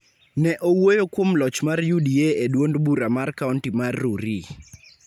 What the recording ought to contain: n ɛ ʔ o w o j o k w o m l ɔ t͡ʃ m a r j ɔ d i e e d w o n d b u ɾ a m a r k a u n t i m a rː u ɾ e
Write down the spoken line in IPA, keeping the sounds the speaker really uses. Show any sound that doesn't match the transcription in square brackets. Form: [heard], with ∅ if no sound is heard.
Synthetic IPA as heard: n ɛ ʔ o w o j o k w o m l ɔ t͡ʃ m a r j [u] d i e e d w o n d b u ɾ a m a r k a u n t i m a rː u ɾ [i]